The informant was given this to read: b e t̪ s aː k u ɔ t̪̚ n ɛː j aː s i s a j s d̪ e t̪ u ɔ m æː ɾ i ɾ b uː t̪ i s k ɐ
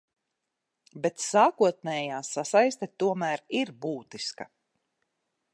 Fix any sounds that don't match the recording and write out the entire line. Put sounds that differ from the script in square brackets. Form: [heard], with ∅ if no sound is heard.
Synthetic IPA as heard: b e t̪ s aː k u ɔ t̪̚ n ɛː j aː s [a] s a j s [t̪] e t̪ u ɔ m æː ɾ i ɾ b uː t̪ i s k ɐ